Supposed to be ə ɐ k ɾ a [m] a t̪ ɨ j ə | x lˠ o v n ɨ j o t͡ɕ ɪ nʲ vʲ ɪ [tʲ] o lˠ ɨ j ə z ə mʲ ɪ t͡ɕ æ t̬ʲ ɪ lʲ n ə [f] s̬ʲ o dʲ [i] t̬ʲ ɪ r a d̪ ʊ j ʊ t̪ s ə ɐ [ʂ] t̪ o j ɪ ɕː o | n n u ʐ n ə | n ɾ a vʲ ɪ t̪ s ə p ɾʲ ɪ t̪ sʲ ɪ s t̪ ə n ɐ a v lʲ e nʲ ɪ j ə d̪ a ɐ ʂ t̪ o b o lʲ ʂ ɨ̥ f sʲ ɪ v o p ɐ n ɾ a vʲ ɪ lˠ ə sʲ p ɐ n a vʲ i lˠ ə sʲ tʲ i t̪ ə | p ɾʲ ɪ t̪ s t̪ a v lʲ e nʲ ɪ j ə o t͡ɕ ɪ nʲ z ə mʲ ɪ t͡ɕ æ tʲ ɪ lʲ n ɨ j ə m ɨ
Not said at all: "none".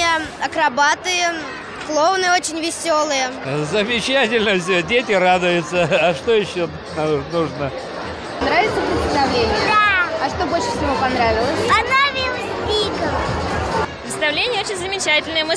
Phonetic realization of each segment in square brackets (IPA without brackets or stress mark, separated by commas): b, sʲ, f, e, ʂ